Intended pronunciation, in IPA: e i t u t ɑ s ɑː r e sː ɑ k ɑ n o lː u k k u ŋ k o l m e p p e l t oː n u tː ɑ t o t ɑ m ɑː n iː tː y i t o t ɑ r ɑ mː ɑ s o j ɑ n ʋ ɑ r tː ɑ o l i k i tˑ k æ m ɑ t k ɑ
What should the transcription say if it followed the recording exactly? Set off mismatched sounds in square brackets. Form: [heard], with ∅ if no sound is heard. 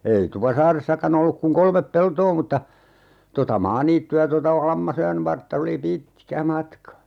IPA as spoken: e i t u [p] ɑ s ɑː r e sː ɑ k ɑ n o lː u k k u ŋ k o l m e p p e l t oː [m] u tː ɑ t o t ɑ m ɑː n iː tː y [æ] t o t ɑ [l] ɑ mː ɑ s o j ɑ n ʋ ɑ r tː ɑ o l i [p] i tˑ k æ m ɑ t k ɑ